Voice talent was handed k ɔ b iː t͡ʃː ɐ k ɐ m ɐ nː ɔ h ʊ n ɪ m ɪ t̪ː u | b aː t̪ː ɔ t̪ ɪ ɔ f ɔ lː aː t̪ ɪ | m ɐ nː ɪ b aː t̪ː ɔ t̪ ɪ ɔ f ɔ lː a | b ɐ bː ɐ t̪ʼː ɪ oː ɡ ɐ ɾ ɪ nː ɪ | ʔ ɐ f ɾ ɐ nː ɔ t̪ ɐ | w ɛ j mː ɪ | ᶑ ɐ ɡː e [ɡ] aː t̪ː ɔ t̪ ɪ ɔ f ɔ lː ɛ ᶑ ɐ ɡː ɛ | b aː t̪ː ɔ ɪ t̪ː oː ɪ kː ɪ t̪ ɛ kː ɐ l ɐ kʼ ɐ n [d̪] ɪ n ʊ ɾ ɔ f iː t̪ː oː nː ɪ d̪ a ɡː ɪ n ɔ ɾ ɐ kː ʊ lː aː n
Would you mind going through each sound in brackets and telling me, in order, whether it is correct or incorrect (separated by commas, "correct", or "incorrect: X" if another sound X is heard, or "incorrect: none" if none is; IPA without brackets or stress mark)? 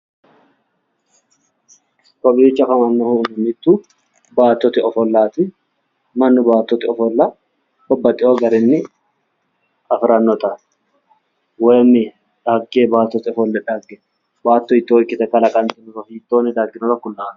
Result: incorrect: b, incorrect: t̪